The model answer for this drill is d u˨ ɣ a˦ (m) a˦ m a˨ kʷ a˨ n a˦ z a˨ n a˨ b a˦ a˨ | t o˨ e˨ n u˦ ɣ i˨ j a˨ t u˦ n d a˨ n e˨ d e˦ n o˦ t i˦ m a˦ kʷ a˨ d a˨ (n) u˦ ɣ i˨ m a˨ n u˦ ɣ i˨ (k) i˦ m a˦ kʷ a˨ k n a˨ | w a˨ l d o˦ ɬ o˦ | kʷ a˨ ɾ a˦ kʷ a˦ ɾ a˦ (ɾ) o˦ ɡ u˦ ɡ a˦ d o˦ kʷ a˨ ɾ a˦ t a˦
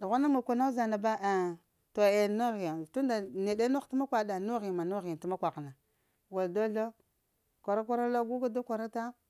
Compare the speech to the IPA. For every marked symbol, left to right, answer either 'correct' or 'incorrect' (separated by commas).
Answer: incorrect, correct, incorrect, incorrect